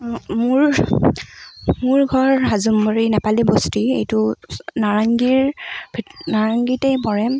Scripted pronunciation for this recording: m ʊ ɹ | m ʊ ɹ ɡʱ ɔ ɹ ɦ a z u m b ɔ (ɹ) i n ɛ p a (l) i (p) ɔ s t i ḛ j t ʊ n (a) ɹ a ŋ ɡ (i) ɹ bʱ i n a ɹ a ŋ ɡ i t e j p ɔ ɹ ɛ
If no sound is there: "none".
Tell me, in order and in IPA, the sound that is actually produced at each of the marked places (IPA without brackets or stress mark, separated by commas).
ɹ, l, b, a, i